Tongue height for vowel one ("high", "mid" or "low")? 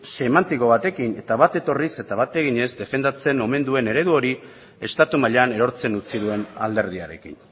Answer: mid